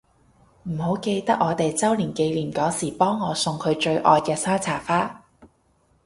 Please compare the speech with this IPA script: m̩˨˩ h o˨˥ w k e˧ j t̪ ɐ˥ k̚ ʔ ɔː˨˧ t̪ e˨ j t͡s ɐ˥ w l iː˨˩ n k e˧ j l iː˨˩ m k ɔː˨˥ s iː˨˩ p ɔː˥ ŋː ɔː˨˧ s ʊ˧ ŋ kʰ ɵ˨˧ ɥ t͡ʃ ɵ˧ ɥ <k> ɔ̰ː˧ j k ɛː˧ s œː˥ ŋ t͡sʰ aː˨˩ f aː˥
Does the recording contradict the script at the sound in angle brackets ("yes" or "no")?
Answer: yes